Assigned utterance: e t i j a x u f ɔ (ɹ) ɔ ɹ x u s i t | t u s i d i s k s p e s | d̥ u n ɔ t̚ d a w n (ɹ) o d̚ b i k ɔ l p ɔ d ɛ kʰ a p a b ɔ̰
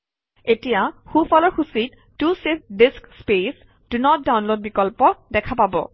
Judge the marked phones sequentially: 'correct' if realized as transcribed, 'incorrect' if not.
incorrect, incorrect

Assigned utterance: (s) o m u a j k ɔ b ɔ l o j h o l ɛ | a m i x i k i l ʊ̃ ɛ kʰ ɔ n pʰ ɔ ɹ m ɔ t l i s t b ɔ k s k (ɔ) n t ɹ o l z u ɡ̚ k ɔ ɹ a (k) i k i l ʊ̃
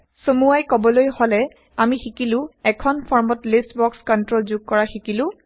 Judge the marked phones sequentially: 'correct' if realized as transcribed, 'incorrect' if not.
correct, correct, incorrect

